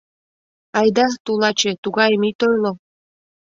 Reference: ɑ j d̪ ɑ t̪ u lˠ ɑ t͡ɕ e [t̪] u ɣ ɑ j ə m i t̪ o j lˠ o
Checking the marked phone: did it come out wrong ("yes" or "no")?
no